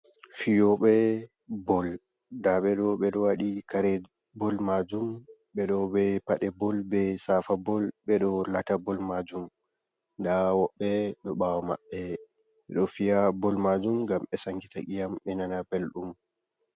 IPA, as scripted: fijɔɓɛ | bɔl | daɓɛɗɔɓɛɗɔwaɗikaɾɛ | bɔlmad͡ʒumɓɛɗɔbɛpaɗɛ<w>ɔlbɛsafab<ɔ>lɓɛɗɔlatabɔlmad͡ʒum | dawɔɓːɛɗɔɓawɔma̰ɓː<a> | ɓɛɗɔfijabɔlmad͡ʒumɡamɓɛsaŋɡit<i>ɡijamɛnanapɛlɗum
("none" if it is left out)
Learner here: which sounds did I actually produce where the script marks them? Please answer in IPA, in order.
b, ɔ, ɛ, a

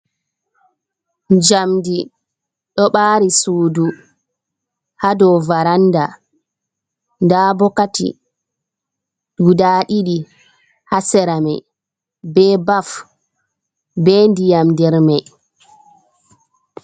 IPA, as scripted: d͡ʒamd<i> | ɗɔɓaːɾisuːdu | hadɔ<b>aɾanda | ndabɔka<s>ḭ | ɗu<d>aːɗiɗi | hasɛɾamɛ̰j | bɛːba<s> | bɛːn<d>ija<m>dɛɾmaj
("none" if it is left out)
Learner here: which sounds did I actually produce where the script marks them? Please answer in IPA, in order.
i, v, t, d, f, d, m

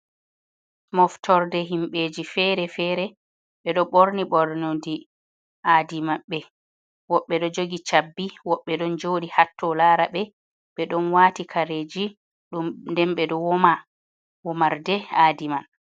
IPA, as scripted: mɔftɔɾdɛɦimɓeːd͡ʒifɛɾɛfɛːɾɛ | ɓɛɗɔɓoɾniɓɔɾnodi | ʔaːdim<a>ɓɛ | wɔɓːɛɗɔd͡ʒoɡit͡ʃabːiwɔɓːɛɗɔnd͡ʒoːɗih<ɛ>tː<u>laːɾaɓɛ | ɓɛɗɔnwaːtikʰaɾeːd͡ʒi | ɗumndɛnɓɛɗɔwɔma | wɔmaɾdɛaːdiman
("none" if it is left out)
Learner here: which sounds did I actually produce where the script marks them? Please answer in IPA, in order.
a, a, ɔ

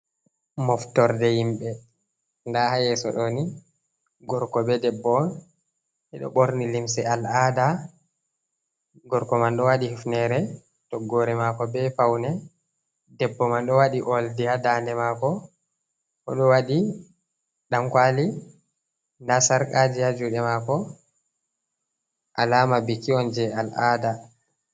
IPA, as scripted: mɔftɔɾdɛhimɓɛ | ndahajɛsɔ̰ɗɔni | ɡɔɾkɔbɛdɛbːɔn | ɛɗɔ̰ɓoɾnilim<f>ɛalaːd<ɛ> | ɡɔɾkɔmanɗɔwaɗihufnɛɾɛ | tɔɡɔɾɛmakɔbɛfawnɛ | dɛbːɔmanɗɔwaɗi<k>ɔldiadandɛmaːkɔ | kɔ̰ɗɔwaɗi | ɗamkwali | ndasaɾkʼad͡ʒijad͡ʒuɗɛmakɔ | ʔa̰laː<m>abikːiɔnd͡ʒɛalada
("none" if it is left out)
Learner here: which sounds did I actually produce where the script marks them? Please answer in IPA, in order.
s, a, ʔ, m

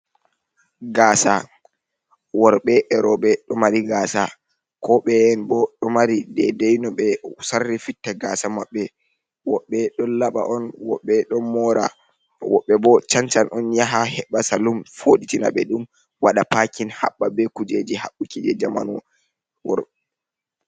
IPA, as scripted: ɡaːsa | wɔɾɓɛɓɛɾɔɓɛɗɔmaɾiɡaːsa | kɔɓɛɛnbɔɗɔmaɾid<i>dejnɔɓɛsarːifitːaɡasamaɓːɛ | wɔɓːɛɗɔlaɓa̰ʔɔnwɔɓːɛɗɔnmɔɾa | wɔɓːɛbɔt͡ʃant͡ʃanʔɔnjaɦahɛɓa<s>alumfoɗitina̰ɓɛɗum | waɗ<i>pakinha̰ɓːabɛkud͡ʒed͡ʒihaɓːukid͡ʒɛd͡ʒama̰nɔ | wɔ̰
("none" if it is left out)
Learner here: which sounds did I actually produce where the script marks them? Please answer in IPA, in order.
ɛ, s, a

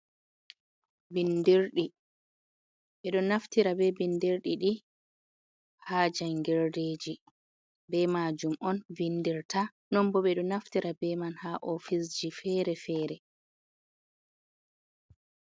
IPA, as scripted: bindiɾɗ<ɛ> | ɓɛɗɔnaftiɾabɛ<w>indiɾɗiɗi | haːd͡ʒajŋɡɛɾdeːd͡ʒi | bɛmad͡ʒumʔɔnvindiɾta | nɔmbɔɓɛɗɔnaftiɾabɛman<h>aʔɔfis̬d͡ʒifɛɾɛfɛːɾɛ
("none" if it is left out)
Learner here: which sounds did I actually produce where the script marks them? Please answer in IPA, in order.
i, b, h

